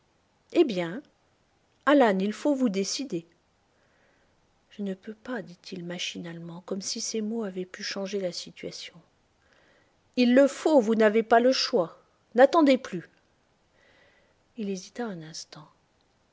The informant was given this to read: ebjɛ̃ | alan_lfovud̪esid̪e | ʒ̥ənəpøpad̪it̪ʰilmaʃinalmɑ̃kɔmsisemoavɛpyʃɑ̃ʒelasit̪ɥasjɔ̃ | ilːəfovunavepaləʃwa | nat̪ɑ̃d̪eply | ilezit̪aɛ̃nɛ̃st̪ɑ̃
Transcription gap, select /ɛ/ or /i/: i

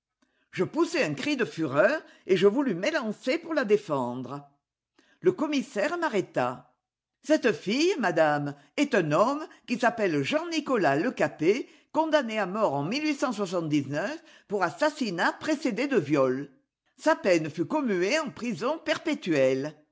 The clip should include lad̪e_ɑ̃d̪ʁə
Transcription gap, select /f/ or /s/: f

